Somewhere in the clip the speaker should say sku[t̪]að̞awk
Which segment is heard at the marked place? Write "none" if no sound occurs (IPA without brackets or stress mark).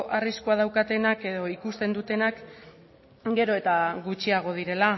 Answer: none